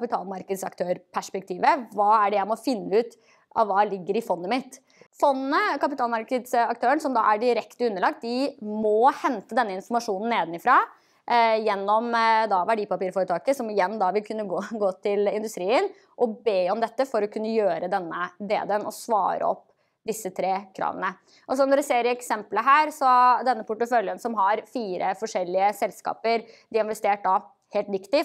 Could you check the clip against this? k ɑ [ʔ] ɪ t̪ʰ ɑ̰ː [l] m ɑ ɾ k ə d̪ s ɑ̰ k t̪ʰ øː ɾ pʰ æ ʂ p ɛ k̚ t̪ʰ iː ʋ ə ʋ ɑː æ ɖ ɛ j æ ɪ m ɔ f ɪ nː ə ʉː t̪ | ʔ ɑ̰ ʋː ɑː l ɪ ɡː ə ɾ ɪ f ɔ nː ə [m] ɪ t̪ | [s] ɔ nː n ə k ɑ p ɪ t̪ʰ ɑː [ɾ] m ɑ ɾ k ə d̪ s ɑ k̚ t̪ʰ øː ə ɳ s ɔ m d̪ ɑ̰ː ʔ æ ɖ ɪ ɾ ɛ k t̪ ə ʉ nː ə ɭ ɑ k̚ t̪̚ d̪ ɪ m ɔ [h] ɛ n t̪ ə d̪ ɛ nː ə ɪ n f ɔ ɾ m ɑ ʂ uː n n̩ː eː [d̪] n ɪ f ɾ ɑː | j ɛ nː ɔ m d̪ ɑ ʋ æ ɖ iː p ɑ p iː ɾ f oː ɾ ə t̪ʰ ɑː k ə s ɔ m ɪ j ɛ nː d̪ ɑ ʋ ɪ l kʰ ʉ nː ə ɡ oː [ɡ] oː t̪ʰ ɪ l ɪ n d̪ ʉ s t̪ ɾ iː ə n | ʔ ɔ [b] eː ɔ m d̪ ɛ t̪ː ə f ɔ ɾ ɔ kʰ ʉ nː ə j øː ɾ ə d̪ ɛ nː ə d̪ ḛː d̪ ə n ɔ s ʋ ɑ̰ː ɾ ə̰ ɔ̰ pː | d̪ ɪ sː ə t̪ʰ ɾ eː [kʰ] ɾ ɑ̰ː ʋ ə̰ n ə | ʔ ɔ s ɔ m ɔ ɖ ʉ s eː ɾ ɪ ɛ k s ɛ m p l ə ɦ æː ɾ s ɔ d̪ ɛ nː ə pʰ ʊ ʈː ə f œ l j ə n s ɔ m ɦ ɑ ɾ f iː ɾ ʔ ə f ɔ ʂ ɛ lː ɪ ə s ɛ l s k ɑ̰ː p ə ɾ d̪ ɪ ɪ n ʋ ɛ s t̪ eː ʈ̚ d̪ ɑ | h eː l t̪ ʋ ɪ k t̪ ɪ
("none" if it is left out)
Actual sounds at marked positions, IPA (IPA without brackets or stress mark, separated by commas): p, l, m, f, l, h, d̪, ɡ, b, kʰ